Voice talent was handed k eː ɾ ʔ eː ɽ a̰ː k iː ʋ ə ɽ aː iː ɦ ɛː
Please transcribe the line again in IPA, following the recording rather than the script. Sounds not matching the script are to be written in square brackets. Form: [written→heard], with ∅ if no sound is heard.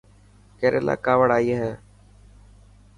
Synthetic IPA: k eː ɾ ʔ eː [ɽ→l] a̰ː k [iː→aː] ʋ ə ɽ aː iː ɦ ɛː